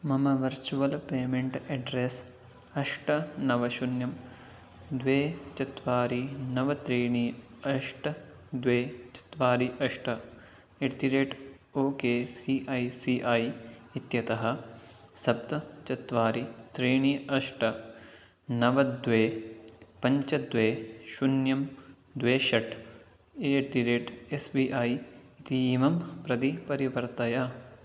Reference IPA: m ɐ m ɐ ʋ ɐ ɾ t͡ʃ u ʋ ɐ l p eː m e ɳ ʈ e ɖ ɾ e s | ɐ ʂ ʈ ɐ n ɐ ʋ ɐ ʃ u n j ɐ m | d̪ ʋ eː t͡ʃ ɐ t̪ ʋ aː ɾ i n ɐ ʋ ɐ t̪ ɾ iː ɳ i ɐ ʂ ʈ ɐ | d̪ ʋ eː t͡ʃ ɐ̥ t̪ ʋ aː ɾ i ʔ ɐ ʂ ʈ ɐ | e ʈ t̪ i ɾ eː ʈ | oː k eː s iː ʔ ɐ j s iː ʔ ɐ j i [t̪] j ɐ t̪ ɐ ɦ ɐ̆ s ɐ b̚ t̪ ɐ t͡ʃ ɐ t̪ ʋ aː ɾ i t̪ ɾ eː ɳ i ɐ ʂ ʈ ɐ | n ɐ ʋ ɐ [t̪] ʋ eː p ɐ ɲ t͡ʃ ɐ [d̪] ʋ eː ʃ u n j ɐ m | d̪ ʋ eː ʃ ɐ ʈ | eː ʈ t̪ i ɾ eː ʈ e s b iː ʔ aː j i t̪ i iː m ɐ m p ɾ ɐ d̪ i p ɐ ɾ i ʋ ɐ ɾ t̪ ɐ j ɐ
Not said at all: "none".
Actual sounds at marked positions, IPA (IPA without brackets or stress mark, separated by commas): t̪, d̪, d̪